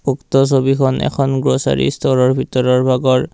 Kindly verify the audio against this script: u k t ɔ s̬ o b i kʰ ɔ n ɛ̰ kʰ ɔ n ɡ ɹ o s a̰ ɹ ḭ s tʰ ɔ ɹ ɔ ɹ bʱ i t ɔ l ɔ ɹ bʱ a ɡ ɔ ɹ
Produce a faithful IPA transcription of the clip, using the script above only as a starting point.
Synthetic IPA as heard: u k t ɔ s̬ o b i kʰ ɔ n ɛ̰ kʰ ɔ n ɡ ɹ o s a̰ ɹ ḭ s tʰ ɔ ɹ ɔ ɹ bʱ i t ɔ ɹ ɔ ɹ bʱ a ɡ ɔ ɹ

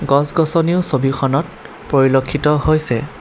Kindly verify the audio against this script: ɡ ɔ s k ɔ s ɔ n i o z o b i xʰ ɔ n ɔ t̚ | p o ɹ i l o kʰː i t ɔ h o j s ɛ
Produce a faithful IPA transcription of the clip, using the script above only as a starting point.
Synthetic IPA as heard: ɡ ɔ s ɡ ɔ s ɔ n i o s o b i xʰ ɔ n ɔ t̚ | p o ɹ i l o kʰː i t ɔ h o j s ɛ

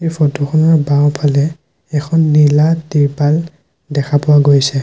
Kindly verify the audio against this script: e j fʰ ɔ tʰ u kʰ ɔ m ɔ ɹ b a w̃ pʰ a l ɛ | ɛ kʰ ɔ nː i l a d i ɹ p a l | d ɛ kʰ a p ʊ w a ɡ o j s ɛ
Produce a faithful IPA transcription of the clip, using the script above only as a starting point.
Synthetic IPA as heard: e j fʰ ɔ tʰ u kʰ ɔ n ɔ ɹ b a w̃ pʰ a l ɛ | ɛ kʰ ɔ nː i l a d i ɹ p a l | d ɛ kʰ a p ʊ w a ɡ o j s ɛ

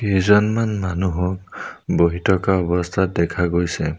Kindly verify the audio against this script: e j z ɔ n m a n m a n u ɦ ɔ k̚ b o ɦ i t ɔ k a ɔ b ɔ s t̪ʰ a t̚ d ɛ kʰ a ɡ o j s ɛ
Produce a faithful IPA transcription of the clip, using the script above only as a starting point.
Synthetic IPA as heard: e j z ɔ n m a n m a n u ɦ ɔ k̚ b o ɦ i t ɔ k a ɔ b ɔ s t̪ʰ a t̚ d ɛ kʰ a ɡ o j s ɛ

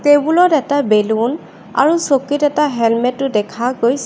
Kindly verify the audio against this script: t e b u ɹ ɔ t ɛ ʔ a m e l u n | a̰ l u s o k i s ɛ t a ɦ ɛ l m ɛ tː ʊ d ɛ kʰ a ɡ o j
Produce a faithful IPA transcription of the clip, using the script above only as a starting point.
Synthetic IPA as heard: t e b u l ɔ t ɛ t a b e l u n | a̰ ɹ u s o k i t ɛ t a ɦ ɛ l m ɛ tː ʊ d ɛ kʰ a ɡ o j

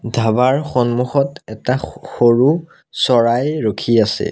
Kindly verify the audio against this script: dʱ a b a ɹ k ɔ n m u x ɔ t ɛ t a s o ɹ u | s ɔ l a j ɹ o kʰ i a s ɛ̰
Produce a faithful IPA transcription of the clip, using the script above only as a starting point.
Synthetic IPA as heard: dʱ a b a ɹ x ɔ n m u x ɔ t ɛ t a x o ɹ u | s ɔ ɹ a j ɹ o kʰ i a s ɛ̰

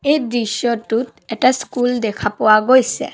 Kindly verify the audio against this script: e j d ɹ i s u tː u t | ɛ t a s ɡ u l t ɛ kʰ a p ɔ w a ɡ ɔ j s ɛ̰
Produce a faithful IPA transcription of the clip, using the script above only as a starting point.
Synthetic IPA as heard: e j d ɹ i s ɔ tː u t | ɛ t a s k u l d ɛ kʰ a p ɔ w a ɡ o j s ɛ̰

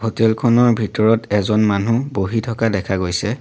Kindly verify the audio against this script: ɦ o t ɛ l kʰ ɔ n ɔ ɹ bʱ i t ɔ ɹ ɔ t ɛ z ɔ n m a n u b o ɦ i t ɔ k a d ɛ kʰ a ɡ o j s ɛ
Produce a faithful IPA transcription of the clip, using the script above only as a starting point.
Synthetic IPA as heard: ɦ o t ɛ l kʰ ɔ n ɔ ɹ bʱ i t ɔ ɹ ɔ t ɛ z ɔ n m a n u b o ɦ i tʰ ɔ k a d ɛ kʰ a ɡ o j s ɛ

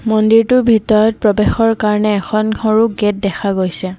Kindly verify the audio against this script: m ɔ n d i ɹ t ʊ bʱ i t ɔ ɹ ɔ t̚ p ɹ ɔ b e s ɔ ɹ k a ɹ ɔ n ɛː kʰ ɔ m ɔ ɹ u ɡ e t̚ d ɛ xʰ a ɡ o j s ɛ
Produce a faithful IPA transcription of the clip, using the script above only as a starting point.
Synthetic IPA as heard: m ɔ n d i ɹ t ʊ bʱ i t ɔ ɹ ɔ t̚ p ɹ ɔ b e x ɔ ɹ k a ɹ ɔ n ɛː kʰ ɔ n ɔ ɹ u ɡ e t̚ d ɛ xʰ a ɡ o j s ɛ

